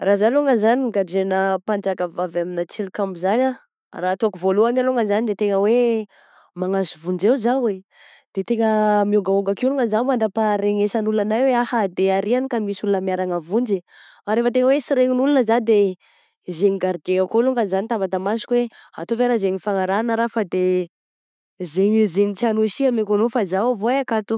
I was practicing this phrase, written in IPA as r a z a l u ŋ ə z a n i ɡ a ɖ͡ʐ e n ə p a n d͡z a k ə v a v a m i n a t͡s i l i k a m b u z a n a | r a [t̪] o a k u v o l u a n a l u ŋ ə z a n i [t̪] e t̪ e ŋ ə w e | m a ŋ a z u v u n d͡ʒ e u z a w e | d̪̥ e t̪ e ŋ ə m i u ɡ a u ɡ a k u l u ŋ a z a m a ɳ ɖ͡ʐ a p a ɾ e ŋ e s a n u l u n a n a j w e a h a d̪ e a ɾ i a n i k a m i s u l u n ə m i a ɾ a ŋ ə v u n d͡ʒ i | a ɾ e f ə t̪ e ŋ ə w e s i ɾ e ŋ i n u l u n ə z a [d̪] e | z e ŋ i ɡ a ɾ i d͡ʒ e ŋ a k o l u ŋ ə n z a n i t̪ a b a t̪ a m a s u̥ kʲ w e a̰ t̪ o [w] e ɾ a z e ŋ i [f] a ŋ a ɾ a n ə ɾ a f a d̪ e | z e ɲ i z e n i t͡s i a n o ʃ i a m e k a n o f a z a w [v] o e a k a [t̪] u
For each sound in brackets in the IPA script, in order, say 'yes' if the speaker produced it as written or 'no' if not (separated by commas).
yes, no, yes, no, yes, yes, yes